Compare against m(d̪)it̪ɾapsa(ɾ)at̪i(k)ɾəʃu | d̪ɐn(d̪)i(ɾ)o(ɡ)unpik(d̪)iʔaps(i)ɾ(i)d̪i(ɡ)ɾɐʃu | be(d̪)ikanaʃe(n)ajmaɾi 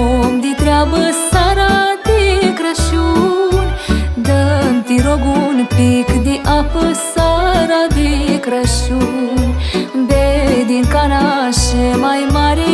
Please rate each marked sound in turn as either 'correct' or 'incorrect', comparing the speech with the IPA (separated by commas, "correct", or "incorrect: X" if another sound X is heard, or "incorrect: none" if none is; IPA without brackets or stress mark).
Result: correct, correct, correct, incorrect: t̪, correct, correct, correct, incorrect: a, incorrect: a, incorrect: k, correct, incorrect: m